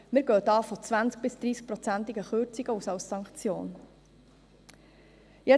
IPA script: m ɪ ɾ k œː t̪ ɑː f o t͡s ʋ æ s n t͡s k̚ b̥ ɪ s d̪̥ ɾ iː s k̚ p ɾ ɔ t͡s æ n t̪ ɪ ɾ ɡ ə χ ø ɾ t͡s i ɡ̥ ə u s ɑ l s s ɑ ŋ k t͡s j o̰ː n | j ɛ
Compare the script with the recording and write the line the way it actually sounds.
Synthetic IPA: m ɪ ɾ ɡ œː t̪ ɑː f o t͡s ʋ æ n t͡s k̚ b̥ ɪ s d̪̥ ɾ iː s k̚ p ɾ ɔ t͡s æ n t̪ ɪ ɡ ə χ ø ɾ t͡s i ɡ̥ ə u s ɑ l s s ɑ ŋ k t͡s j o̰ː n | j ɛ